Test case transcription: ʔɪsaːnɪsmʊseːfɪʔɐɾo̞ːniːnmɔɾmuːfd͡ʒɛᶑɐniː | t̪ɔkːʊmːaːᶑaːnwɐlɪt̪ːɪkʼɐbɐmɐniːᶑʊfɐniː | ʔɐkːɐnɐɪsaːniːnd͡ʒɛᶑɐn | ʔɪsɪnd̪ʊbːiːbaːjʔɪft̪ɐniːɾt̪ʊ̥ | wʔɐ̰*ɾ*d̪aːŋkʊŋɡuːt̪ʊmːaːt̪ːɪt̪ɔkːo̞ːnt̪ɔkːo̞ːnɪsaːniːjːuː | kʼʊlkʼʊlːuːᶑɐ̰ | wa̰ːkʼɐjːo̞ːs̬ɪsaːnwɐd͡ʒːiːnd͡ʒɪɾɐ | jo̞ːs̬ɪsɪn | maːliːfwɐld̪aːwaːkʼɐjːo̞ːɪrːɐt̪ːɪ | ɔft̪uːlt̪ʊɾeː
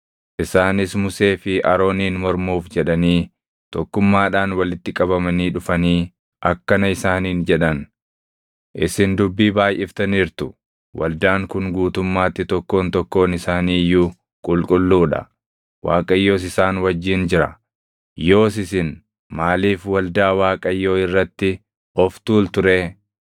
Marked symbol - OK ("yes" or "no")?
no